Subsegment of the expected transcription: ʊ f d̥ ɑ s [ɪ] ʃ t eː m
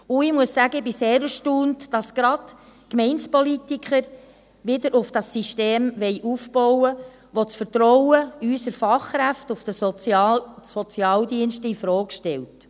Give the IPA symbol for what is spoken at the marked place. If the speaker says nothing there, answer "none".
i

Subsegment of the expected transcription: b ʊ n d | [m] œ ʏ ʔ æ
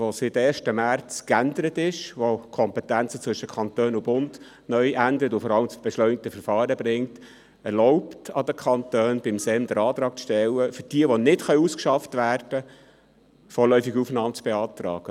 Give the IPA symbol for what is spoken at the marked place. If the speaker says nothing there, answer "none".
n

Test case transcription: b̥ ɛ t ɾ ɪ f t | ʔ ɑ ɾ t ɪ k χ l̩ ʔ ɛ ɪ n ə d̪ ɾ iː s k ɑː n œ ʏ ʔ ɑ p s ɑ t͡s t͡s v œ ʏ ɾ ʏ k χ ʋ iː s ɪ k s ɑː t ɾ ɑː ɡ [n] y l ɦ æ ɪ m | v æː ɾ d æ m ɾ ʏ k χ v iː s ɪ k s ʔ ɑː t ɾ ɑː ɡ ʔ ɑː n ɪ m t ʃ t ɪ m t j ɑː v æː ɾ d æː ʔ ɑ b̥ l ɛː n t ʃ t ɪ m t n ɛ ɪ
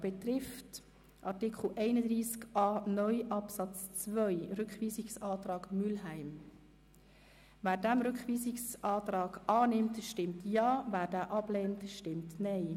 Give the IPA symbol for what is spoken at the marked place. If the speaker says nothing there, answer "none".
m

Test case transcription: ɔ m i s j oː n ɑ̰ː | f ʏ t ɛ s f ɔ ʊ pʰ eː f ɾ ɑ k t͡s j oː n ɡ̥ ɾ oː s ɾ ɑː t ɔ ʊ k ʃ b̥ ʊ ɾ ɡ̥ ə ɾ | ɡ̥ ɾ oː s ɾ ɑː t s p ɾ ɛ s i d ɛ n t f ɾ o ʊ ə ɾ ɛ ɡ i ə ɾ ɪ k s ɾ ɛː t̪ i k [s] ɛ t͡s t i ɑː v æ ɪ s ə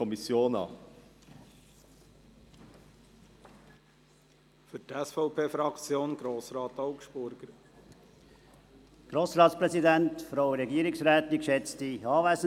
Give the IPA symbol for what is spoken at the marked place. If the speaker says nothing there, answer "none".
ʃ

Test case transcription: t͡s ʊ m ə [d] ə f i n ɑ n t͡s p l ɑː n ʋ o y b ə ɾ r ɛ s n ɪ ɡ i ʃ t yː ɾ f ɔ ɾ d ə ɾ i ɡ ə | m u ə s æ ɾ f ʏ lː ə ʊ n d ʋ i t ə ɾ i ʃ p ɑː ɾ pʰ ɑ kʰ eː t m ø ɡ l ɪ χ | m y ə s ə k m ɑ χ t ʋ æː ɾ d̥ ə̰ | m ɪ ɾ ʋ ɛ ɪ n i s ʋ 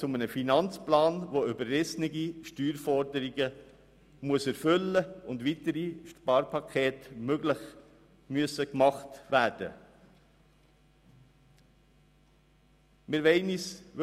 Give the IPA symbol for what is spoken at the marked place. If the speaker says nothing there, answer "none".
n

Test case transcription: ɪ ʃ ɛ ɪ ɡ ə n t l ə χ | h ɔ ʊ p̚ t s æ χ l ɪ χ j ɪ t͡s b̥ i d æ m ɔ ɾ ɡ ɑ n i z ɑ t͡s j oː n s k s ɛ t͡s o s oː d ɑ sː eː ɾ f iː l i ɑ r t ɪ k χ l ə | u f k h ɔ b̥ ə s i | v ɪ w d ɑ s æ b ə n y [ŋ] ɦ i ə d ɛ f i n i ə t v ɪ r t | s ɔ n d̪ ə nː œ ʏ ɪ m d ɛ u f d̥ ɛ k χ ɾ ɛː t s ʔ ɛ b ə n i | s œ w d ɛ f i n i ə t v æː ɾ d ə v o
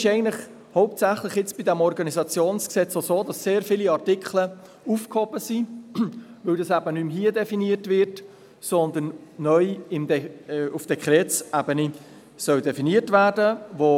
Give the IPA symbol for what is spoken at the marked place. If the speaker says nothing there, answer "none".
m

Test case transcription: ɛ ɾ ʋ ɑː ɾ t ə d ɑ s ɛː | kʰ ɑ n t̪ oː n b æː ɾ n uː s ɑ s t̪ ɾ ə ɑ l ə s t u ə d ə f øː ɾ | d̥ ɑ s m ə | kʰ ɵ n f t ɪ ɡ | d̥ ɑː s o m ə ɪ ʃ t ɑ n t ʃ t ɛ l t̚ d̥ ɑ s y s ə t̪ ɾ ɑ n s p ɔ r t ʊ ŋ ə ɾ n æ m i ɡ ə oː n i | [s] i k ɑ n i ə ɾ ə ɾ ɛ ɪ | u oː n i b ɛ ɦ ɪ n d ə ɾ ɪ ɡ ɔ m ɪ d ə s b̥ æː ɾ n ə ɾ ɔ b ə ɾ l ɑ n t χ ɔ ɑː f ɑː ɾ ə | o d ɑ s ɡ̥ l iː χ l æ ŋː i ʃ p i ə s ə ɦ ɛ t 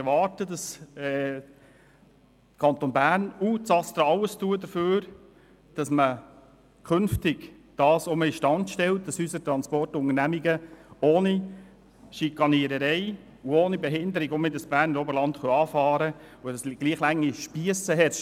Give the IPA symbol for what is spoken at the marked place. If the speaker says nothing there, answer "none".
ʃ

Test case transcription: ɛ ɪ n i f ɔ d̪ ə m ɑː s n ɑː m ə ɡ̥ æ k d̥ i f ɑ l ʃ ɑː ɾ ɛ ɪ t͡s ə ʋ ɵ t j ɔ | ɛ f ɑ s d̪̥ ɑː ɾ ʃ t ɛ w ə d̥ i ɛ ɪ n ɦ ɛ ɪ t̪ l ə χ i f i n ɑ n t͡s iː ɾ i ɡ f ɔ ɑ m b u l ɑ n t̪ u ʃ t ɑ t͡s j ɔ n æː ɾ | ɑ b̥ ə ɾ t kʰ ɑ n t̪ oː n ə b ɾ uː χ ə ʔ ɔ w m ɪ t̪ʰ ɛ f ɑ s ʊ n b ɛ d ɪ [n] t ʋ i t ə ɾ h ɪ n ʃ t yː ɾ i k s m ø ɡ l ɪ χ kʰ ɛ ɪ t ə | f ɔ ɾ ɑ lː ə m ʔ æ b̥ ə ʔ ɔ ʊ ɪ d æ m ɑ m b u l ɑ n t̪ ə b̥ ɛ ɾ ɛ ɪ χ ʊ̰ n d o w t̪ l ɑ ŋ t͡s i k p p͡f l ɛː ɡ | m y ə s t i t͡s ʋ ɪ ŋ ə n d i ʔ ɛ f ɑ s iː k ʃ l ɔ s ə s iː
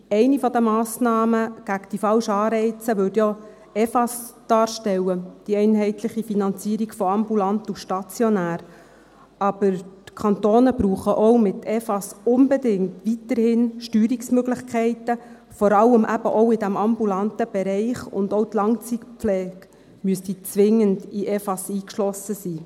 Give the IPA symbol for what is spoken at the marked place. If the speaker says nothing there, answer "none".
ŋ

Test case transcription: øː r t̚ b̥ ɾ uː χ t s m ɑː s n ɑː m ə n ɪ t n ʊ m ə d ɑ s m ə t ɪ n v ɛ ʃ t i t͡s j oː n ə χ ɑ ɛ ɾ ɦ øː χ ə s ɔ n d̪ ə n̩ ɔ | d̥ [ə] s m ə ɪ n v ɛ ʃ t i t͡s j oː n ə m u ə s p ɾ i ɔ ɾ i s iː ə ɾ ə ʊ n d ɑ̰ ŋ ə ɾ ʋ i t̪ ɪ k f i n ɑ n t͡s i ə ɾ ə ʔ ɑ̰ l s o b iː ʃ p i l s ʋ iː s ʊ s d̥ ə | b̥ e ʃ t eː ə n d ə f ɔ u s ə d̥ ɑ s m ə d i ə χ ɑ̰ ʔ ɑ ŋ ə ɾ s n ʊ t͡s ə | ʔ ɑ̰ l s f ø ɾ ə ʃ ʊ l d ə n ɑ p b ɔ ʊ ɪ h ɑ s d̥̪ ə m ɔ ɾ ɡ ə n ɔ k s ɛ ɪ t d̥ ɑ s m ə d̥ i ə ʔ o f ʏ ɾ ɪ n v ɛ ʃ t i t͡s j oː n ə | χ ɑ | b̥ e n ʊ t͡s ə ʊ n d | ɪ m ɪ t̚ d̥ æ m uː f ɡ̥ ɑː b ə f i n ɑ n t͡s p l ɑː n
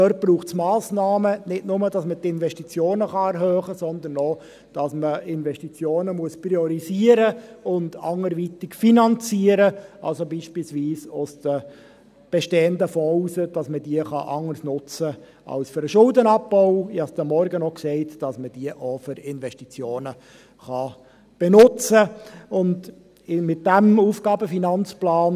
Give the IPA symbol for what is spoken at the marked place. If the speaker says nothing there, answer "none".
ɑ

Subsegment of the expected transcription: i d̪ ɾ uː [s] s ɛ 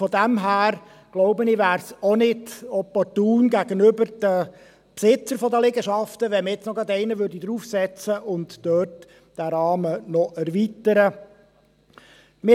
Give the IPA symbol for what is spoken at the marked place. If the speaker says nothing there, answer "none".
f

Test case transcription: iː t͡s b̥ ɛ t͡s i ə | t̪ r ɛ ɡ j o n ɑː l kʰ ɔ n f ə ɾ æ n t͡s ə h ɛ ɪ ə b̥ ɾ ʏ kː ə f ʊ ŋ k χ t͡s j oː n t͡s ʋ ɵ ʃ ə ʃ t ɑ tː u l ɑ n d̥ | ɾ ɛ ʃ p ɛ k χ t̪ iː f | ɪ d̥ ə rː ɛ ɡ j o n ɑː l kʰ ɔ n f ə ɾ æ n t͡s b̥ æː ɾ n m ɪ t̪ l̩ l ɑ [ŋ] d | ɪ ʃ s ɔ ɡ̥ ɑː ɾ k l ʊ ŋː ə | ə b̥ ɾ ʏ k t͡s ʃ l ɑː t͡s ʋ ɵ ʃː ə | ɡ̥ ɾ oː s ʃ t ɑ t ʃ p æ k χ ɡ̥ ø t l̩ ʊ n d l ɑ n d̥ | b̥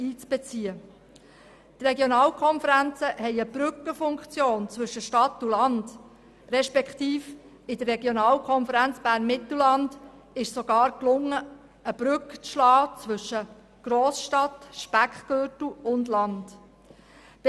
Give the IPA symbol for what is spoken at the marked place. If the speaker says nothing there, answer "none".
n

